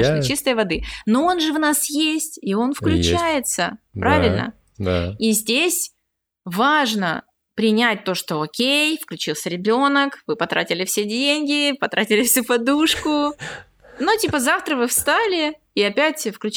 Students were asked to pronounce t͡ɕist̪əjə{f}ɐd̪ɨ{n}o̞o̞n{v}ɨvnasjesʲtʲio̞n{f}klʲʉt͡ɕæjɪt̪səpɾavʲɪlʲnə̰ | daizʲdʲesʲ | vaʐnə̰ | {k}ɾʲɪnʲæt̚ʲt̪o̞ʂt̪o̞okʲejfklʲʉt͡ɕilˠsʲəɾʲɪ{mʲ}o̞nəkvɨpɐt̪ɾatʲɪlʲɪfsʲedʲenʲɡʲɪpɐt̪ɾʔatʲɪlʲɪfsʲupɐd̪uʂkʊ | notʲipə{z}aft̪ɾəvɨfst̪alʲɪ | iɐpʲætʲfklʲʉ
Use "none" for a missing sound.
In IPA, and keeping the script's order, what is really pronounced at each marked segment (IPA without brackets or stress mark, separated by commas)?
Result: v, n, ʐ, f, p, bʲ, z